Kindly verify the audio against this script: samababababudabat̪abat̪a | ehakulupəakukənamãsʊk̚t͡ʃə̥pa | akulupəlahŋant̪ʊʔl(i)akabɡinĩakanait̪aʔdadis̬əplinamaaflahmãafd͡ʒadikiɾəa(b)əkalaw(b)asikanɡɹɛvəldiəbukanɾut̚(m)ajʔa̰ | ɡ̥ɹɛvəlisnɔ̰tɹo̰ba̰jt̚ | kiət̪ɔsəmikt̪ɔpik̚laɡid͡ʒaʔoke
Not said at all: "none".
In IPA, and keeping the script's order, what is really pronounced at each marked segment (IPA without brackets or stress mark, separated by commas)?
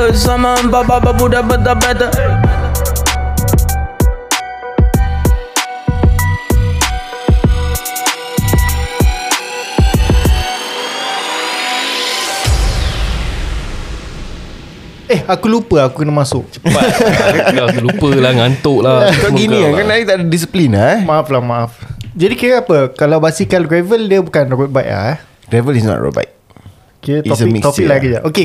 a, p, b, b